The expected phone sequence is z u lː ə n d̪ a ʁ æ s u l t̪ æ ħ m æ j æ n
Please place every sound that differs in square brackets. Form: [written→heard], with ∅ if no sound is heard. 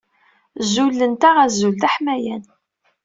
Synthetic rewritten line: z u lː ə n [d̪→t̪] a ʁ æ [s→z] u l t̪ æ ħ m æ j æ n